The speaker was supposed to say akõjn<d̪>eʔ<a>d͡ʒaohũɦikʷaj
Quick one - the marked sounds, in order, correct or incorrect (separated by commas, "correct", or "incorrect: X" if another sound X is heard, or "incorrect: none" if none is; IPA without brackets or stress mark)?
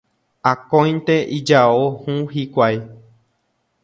incorrect: t̪, incorrect: i